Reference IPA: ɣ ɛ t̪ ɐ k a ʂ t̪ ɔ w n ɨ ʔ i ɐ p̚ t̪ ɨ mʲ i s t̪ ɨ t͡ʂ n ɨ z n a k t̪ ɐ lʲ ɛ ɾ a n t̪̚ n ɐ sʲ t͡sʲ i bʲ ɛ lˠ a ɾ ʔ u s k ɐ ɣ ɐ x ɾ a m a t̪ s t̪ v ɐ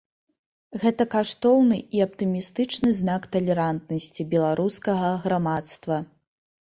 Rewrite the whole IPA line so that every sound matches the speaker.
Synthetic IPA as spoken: ɣ ɛ t̪ ɐ k a ʂ t̪ ɔ w n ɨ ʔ i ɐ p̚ t̪ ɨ mʲ i s t̪ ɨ t͡ʂ n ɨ z n a k t̪ ɐ lʲ ɛ ɾ a n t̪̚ n ɐ sʲ t͡sʲ i bʲ ɛ lˠ a ɾ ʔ u s k ɐ ɣ ɐ ɣ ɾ a m a t̪ s t̪ v ɐ